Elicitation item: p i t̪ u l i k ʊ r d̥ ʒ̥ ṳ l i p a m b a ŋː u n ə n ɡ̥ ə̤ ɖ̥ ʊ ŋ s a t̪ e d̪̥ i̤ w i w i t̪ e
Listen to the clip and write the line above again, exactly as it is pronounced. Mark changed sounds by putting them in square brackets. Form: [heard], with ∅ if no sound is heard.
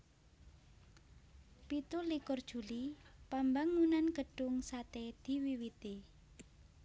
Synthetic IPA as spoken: p i t̪ u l i k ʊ r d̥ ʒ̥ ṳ l i p a m b a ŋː u n [a] n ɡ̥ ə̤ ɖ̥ ʊ ŋ s a t̪ e d̪̥ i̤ w i w i t̪ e